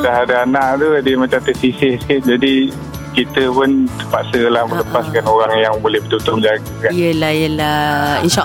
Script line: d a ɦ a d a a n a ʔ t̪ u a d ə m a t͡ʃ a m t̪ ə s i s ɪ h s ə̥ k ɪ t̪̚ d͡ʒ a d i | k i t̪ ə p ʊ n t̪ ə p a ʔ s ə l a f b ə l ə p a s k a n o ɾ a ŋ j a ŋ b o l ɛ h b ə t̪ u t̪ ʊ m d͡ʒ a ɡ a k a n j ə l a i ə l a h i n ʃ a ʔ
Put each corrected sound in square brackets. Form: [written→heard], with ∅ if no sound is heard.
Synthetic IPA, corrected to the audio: d a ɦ a d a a n a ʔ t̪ u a d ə m a t͡ʃ a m t̪ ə s i s ɪ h s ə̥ k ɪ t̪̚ d͡ʒ a d i | k i t̪ ə p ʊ n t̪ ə p a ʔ s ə l a [f→h] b ə l ə p a s k a n o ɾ a ŋ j a ŋ b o l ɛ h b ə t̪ u t̪ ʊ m d͡ʒ a ɡ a k a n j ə l a [i→j] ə l a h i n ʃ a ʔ